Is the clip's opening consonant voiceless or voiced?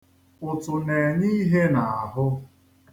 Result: voiceless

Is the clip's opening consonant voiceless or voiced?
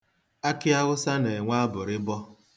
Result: voiceless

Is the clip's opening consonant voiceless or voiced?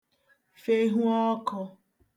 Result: voiceless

